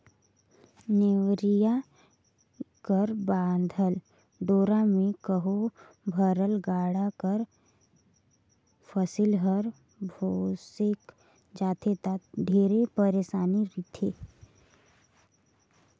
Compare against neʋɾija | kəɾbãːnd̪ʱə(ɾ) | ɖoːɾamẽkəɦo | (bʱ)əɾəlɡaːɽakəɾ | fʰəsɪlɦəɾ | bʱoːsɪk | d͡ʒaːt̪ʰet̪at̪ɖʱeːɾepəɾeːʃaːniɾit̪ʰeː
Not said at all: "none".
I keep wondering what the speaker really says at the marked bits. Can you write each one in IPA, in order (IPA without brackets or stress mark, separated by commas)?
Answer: l, bʱ